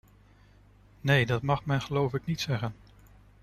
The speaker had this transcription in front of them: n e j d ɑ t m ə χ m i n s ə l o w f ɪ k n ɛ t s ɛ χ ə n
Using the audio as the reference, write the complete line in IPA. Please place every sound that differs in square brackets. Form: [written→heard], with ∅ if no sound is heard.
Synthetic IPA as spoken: n e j d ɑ t m [ə→ɑ] χ m [i→ɛ] n [s→χ] ə l o w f ɪ k n [ɛ→i] t s ɛ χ ə n